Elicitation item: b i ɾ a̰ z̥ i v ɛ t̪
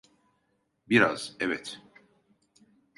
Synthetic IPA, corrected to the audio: b i ɾ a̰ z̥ ɛ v ɛ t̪